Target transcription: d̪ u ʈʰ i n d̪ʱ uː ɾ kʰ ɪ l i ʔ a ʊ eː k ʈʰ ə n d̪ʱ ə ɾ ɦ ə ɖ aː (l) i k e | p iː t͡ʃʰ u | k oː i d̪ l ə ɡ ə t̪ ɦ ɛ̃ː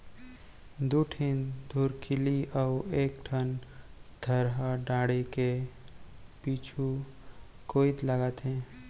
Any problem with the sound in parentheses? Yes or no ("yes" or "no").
yes